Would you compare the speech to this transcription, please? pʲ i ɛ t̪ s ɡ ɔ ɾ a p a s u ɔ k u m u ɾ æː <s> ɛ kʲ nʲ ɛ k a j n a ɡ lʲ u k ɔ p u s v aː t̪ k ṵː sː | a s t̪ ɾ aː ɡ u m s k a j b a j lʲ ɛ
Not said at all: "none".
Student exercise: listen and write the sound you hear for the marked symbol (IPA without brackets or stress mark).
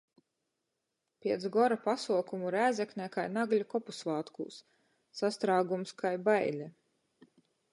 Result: z